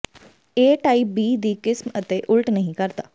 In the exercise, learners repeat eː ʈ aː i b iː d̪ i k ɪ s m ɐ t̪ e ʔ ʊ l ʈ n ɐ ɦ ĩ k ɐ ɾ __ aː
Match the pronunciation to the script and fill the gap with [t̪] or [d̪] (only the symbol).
t̪